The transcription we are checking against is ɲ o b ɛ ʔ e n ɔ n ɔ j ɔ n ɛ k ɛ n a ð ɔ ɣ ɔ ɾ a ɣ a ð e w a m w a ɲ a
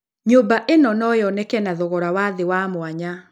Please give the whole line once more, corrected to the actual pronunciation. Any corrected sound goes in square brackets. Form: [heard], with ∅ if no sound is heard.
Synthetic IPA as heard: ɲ o b [a] ʔ e n ɔ n ɔ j ɔ n ɛ k ɛ n a ð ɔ ɣ ɔ ɾ a [w] a ð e w a m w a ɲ a